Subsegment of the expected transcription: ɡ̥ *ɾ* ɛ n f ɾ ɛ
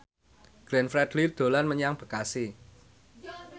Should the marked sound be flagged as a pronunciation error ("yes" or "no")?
no